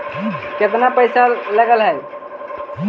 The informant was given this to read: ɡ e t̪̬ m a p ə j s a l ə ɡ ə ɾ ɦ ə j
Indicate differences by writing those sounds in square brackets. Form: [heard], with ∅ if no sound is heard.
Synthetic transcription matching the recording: [k] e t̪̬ [n] a p ə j s a l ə ɡ ə [l] ɦ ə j